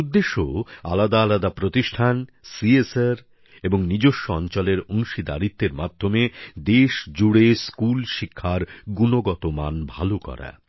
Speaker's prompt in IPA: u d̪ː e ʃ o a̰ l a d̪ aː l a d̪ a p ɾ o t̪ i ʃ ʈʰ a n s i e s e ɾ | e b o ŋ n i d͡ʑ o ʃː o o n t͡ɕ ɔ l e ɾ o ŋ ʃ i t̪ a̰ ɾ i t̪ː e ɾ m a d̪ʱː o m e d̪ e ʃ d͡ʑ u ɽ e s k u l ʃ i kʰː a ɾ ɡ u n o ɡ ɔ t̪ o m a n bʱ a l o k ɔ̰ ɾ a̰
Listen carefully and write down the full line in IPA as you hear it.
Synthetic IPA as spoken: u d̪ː e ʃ o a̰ l a d̪ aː l a d̪ a p ɾ o t̪ i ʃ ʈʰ a n s i e s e ɾ | e b o ŋ n i d͡ʑ o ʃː o ɔ n t͡ɕ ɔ l e ɾ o ŋ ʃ i d̪ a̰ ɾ i t̪ː e ɾ m a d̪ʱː o m e d̪ e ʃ d͡ʑ u ɽ e s k u l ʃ i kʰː a ɾ ɡ u n o ɡ ɔ t̪ o m a n bʱ a l o k ɔ̰ ɾ a̰